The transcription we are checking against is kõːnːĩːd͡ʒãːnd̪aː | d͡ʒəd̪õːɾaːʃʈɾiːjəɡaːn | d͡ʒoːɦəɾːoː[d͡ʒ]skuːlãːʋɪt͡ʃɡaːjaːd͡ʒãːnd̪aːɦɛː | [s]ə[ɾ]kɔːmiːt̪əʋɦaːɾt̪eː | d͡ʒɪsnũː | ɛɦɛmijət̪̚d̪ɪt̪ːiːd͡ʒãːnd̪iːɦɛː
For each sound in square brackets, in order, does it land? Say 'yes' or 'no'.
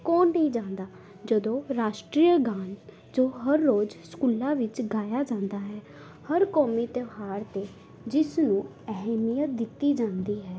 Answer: yes, no, yes

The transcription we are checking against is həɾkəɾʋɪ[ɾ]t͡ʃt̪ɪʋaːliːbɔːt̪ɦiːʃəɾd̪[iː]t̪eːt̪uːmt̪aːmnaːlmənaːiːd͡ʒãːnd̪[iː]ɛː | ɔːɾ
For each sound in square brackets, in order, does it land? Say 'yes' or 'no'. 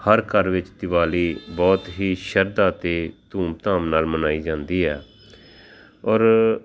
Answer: no, no, yes

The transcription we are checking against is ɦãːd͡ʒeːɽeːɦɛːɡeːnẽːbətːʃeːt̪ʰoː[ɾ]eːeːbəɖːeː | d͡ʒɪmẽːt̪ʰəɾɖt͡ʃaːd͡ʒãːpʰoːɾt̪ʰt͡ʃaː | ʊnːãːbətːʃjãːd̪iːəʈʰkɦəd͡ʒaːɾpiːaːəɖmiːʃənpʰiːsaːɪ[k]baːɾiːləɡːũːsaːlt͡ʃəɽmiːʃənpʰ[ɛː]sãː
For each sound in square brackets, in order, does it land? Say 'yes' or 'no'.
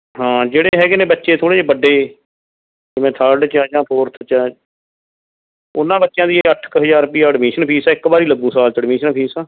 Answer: no, yes, no

